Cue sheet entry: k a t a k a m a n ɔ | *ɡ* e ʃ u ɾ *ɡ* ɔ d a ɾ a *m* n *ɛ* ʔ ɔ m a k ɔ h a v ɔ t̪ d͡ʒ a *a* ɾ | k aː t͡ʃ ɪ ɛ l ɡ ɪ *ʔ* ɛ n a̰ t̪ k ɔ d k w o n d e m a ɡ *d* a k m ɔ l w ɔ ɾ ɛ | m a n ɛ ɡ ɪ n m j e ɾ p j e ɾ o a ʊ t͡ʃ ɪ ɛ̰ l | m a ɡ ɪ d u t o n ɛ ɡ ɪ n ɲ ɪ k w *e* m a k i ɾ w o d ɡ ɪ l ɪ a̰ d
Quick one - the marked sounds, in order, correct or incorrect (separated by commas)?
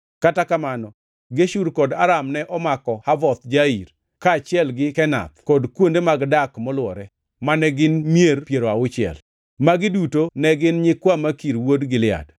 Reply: correct, incorrect, correct, correct, incorrect, incorrect, correct, incorrect